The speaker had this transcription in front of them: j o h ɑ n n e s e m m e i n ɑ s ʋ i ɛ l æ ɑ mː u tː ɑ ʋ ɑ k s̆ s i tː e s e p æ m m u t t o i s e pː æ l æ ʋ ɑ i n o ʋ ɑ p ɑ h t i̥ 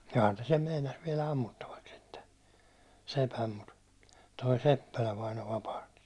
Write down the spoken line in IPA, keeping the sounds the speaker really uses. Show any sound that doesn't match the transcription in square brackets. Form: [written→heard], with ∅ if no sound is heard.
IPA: j o h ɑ n n e s e m m e i n ɑ s ʋ i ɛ l æ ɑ mː u tː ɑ ʋ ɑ k s̆ s i tː e s e p æ m m u t t o i s e pː æ l æ ʋ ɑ i n o ʋ ɑ p ɑ h t i̥